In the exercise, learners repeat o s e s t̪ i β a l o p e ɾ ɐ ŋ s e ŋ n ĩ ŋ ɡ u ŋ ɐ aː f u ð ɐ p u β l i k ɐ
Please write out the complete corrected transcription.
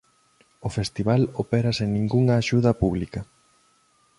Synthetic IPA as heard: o f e s t̪ i β a l o p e ɾ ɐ s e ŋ n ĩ ŋ ɡ u ŋ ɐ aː ʃ u ð ɐ p u β l i k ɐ